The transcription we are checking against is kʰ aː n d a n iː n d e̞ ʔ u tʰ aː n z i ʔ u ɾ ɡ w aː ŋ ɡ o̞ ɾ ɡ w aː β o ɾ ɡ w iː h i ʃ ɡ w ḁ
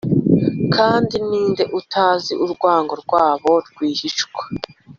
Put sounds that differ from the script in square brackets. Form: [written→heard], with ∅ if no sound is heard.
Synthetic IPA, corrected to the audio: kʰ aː n d [a→i] n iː n d e̞ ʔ u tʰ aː [n→∅] z i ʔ u ɾ ɡ w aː ŋ ɡ o̞ ɾ ɡ w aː β o ɾ ɡ w iː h i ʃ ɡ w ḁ